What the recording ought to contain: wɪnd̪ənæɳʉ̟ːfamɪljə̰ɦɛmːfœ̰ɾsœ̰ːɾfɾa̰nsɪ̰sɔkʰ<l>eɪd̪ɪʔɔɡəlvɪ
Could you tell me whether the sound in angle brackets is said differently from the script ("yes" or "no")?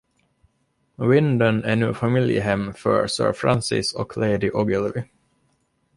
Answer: no